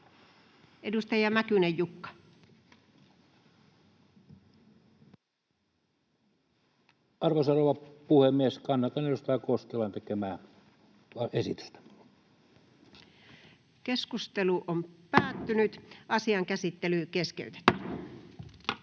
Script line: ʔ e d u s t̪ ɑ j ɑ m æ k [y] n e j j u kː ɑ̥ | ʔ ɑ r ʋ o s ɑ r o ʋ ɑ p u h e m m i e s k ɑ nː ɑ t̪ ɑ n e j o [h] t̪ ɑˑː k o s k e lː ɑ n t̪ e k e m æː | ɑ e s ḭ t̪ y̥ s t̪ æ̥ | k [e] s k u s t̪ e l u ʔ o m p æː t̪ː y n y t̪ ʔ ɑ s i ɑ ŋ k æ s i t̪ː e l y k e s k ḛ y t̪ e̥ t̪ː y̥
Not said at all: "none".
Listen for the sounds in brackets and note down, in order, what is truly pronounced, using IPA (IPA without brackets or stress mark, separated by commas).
y, s, e